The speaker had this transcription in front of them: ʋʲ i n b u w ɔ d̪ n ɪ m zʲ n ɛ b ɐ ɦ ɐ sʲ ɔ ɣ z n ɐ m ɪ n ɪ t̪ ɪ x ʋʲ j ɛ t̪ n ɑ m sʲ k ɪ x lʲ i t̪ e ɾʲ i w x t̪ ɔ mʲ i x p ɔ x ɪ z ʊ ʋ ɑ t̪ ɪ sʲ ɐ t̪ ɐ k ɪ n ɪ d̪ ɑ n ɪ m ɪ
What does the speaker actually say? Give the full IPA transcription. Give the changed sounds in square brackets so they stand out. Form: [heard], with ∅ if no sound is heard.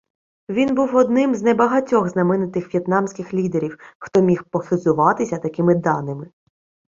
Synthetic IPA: ʋʲ i n b u w ɔ d̪ n ɪ m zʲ n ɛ b ɐ ɦ ɐ [tʲ] ɔ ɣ z n ɐ m ɪ n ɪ t̪ ɪ x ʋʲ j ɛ t̪ n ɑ m sʲ k ɪ x lʲ i [d̪] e ɾʲ i w x t̪ ɔ mʲ i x p ɔ x ɪ z ʊ ʋ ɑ t̪ ɪ sʲ ɐ t̪ ɐ k ɪ [m] ɪ d̪ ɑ n ɪ m ɪ